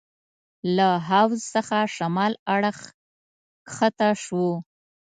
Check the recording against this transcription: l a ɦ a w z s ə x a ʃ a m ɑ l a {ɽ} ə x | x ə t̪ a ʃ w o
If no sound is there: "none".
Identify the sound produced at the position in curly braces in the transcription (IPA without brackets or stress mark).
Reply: ɽ